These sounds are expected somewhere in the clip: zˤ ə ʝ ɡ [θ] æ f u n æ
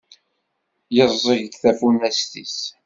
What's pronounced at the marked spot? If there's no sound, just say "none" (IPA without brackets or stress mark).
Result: θ